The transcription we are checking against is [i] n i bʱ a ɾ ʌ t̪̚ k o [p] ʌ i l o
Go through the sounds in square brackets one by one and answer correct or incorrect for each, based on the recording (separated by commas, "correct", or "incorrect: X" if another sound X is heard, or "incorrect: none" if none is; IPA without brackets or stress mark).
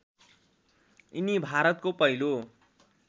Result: correct, correct